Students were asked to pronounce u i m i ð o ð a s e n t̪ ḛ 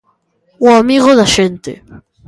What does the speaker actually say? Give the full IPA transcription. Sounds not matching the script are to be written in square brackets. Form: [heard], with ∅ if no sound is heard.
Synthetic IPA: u [a] m i [ɣ] o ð a [ʃ] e n t̪ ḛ

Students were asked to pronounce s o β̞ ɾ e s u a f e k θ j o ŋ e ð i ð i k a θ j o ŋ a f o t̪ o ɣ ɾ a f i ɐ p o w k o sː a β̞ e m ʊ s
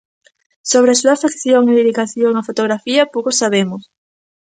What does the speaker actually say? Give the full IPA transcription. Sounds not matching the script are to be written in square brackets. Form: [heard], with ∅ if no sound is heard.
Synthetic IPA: s o β̞ ɾ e s u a f e k θ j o ŋ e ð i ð i k a θ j o ŋ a f o t̪ o ɣ ɾ a f i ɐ p o w k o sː a β̞ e m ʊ s

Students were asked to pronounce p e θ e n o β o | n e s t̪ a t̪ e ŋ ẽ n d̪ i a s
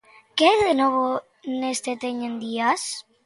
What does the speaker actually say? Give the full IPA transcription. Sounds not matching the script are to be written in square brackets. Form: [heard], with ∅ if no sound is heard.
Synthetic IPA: [k] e [ð] e n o β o | n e s t̪ [e] t̪ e [ɲ] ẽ n d̪ i a s

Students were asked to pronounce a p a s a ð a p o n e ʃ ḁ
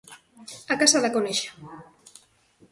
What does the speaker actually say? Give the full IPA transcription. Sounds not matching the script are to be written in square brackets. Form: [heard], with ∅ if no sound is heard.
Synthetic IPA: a [k] a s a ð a [k] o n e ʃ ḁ

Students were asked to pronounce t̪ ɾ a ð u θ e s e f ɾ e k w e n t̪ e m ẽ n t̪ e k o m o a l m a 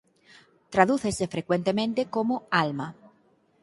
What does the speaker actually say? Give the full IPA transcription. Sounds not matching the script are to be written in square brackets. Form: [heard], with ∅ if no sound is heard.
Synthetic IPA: t̪ ɾ a ð u θ e s e f ɾ e k w e n t̪ e m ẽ n t̪ e k o m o a l m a

